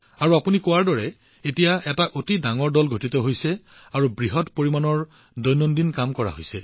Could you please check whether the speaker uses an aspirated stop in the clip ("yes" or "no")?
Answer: no